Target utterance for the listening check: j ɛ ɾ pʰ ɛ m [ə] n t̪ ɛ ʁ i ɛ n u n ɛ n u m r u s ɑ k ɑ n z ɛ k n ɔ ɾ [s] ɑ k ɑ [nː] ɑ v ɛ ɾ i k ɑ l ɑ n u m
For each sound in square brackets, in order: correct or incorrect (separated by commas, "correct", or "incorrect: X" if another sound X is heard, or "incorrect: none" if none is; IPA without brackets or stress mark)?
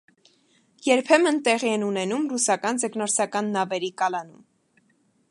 correct, correct, correct